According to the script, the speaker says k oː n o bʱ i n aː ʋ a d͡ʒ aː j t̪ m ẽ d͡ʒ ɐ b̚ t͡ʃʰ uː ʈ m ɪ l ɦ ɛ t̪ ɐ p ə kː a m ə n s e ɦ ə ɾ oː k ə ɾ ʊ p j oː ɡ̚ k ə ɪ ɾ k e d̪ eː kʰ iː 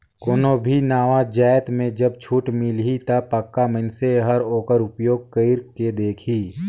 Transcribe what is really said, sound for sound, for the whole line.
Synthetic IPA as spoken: k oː n o bʱ i n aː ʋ a d͡ʒ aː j t̪ m ẽ d͡ʒ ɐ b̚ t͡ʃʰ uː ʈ m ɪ l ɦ i t̪ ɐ p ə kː a m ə n s e ɦ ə ɾ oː k ə ɾ ʊ p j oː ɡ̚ k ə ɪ ɾ k e d̪ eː kʰ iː